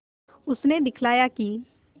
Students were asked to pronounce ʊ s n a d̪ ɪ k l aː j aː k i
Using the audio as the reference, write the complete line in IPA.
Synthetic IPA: ʊ s n e d̪ ɪ kʰ l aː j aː k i